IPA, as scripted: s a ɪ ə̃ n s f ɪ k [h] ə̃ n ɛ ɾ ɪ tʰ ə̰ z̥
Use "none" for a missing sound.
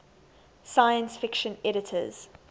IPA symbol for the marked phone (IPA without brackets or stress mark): ʃ